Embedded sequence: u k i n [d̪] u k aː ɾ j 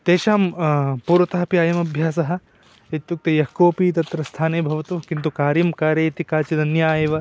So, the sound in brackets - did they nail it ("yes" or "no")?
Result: no